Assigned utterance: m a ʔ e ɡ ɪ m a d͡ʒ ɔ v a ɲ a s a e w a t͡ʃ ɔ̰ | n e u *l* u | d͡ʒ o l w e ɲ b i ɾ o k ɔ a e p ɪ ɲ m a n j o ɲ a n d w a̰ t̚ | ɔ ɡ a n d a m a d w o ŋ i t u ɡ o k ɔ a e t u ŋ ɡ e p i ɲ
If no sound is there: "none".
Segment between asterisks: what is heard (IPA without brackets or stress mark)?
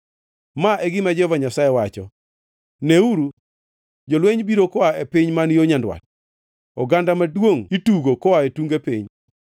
ɾ